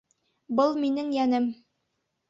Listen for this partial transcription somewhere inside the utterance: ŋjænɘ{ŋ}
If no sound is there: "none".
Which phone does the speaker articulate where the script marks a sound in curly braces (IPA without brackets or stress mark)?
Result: m